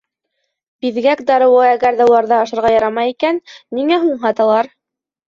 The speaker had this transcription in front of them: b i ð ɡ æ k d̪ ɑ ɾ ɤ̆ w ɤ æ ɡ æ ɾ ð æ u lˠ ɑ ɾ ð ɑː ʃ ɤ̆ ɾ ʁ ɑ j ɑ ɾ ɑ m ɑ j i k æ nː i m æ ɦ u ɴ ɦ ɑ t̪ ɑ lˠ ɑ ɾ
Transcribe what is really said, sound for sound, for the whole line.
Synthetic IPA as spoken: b i ð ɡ æ k d̪ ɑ ɾ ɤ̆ w ɤ æ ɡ æ ɾ ð æ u lˠ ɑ ɾ ð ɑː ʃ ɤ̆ ɾ ʁ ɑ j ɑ ɾ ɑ m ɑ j i k æ nː i ŋ æ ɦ u ɴ ɦ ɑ t̪ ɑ lˠ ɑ ɾ